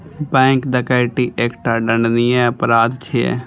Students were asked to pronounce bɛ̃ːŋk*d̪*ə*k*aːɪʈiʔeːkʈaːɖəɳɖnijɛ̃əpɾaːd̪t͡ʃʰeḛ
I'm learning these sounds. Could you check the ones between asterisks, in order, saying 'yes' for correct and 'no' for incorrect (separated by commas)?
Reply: yes, yes